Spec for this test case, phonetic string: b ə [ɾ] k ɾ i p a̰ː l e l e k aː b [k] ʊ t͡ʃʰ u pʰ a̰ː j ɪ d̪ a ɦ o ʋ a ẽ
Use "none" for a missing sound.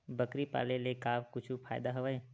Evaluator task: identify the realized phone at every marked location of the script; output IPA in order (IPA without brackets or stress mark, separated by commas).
none, k